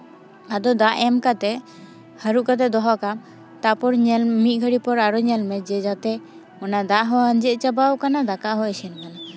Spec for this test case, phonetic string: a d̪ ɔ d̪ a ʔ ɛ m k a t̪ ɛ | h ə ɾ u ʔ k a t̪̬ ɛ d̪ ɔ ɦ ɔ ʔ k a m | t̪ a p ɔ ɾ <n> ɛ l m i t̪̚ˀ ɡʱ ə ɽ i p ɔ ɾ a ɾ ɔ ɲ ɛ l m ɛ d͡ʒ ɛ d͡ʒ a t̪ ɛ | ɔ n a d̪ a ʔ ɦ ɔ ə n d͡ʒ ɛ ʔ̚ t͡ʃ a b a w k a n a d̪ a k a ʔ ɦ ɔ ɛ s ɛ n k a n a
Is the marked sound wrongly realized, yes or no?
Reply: yes